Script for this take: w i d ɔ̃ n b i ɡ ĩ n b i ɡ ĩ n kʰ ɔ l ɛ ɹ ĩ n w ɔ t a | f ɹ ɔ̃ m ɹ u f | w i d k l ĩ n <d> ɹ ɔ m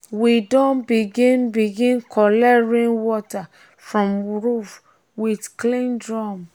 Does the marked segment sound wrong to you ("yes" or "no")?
no